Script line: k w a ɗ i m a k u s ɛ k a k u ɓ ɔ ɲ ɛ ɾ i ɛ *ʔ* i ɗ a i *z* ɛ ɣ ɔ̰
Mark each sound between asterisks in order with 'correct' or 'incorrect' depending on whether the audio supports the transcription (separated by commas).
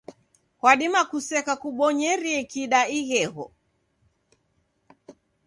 incorrect, incorrect